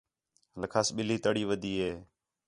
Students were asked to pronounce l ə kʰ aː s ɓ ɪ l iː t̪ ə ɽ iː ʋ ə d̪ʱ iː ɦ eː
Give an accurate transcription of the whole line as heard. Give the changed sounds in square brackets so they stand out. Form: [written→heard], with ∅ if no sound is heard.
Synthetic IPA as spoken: l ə kʰ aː s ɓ ɪ l iː t̪ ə ɽ iː ʋ ə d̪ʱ iː ɦ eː